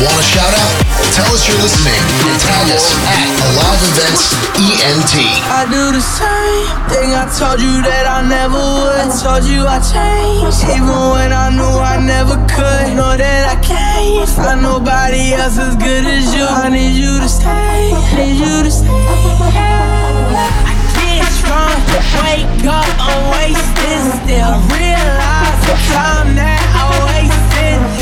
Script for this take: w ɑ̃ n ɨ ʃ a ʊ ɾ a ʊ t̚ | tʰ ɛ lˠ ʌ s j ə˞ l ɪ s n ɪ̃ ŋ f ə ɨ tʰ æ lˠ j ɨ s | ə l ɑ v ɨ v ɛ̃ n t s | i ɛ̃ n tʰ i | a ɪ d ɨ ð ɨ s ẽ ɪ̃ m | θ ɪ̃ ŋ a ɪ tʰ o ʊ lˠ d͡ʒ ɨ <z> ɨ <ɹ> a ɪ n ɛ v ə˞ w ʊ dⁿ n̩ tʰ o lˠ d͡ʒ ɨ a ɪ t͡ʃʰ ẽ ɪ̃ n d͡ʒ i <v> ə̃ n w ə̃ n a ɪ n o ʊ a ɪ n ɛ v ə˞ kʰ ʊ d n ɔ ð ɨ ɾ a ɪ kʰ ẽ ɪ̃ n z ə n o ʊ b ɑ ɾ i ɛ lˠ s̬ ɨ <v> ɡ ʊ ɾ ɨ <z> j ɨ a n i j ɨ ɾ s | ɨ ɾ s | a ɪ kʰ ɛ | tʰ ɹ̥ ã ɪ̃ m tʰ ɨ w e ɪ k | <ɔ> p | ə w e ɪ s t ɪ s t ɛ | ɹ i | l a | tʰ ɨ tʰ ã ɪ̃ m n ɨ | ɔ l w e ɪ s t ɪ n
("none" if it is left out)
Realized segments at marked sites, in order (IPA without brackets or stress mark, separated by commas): ð, ɾ, v, z, z, ʌ